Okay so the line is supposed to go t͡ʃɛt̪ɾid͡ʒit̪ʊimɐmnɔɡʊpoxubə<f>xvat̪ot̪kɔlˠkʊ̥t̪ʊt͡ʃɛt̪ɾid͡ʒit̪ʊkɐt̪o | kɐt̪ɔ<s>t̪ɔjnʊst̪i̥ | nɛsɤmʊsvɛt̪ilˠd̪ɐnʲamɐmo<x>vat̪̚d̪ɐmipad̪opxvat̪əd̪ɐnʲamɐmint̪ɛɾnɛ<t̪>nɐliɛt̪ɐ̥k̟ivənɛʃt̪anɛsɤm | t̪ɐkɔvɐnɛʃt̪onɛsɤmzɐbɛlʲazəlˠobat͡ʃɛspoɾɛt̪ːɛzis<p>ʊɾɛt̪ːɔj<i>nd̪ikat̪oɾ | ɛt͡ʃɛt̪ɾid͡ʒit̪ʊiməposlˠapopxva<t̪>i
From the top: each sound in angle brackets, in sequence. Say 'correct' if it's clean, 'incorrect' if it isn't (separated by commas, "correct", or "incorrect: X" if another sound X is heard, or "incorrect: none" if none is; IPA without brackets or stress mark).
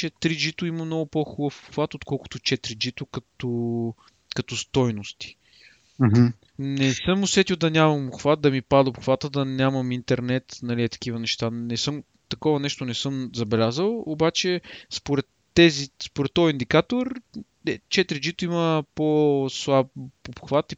correct, correct, correct, correct, correct, correct, correct